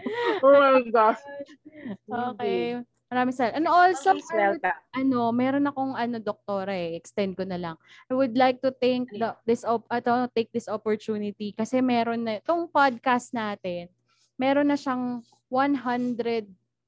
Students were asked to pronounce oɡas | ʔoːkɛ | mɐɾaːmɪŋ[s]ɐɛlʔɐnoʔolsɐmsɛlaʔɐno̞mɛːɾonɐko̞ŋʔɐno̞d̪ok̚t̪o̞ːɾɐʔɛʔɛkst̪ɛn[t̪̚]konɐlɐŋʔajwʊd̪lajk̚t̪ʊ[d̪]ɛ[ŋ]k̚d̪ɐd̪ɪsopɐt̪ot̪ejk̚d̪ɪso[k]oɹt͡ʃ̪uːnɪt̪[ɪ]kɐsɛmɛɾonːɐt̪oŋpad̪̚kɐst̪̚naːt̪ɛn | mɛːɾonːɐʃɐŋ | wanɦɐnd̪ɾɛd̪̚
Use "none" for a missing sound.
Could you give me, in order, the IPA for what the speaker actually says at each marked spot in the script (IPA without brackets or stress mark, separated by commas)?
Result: s, d̪̚, t̪, ŋ, p, i